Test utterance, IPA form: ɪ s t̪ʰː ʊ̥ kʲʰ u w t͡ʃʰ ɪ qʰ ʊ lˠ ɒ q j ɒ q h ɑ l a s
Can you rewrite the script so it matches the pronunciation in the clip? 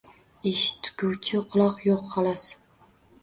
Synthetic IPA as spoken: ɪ ʃ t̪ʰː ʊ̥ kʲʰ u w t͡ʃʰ ɪ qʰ ʊ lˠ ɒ q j o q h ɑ l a s